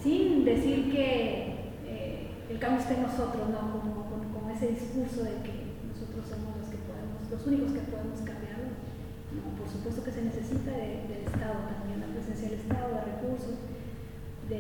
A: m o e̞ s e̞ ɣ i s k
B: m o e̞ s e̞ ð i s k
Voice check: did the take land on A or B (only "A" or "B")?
B